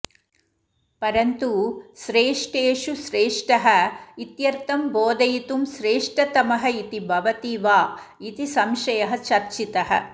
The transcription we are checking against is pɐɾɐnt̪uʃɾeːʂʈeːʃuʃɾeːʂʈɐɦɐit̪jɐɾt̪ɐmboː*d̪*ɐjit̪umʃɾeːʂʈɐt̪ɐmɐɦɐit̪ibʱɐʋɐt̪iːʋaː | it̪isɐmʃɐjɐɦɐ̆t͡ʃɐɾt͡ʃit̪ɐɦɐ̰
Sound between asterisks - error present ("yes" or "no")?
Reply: no